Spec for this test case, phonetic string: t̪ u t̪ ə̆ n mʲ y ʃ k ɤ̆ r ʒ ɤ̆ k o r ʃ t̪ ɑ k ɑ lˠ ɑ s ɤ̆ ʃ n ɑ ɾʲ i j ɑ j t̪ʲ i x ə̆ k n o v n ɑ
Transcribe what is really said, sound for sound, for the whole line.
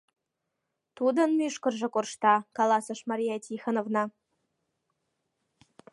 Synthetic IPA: t̪ u d̪ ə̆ n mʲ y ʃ k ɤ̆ r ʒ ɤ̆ k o r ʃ t̪ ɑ k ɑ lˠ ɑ s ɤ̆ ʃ m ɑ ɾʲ i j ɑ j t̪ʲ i x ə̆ n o v n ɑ